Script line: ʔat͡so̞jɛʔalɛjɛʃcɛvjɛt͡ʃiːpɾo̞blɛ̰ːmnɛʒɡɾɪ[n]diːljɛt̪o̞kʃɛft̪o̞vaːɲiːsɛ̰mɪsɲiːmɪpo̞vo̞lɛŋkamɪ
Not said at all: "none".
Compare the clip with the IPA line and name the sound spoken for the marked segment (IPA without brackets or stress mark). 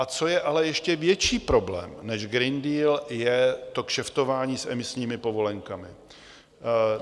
n